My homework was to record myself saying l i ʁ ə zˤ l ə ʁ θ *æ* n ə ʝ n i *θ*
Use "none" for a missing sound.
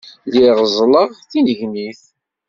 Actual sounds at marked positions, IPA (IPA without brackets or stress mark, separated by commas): i, θ